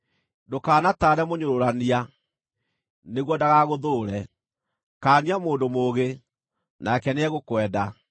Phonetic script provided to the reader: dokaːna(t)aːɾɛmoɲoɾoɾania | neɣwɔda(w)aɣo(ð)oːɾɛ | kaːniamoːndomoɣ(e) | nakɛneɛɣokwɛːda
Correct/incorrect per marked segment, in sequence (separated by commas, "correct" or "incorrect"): correct, incorrect, correct, correct